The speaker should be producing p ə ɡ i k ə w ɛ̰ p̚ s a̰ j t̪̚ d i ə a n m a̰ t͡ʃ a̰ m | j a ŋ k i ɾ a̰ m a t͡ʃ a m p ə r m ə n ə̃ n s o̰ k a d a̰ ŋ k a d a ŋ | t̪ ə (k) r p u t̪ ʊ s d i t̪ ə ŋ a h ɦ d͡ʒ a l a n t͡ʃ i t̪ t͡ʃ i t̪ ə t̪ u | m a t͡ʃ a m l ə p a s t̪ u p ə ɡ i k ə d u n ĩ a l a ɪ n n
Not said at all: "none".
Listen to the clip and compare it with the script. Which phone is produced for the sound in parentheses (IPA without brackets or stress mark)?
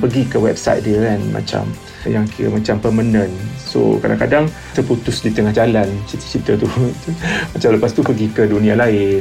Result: none